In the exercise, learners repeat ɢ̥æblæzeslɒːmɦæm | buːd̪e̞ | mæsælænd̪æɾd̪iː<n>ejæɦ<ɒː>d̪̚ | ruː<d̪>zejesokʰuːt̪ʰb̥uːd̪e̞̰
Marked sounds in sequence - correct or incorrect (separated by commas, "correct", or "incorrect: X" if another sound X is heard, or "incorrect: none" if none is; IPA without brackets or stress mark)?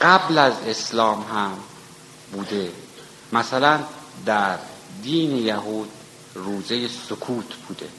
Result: correct, incorrect: uː, incorrect: none